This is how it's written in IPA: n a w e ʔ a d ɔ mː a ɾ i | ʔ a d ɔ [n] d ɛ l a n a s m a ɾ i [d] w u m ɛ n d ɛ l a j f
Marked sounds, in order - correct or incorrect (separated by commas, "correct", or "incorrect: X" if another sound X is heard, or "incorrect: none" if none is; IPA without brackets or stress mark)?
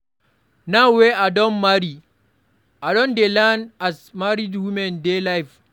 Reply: correct, correct